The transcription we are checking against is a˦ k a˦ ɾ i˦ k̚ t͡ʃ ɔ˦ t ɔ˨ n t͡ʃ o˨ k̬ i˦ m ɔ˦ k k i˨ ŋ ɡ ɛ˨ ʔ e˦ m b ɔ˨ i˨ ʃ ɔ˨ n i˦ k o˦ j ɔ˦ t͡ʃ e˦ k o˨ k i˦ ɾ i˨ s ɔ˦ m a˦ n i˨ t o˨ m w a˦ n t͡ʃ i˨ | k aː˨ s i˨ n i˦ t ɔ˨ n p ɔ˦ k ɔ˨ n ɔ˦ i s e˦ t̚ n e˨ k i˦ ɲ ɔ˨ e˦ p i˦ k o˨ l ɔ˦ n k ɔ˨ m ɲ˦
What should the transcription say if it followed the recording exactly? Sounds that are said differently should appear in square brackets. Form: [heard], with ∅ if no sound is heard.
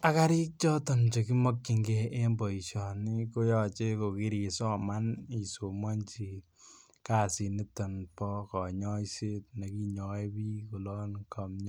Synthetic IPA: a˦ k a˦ ɾ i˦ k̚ t͡ʃ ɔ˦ t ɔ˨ n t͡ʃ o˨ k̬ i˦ m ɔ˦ k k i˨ ŋ ɡ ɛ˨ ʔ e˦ m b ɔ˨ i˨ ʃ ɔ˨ n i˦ k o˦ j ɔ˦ t͡ʃ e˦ k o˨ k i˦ ɾ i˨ s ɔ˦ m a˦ n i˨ [s] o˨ m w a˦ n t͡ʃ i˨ | k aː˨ s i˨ n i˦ t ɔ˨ n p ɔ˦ k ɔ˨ [ɲ] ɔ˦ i s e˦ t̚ n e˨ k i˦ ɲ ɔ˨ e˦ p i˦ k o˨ l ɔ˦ n k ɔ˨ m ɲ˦